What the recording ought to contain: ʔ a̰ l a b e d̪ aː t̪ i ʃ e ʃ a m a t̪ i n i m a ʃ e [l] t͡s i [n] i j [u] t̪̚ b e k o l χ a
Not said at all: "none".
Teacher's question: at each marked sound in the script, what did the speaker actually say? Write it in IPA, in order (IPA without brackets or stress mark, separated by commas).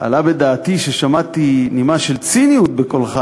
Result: l, n, u